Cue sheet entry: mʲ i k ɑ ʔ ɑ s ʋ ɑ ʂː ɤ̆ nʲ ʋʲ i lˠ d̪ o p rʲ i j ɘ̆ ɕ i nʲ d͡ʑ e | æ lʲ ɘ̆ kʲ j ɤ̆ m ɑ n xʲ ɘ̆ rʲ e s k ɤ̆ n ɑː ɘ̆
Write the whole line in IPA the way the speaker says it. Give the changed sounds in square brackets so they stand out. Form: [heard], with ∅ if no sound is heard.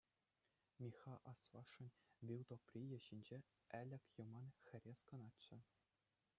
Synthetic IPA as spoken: mʲ i [x] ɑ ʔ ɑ s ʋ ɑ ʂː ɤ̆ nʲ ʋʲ i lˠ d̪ o p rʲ i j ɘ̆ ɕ i nʲ d͡ʑ e | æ lʲ ɘ̆ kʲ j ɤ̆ m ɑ n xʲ ɘ̆ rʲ e s k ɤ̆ n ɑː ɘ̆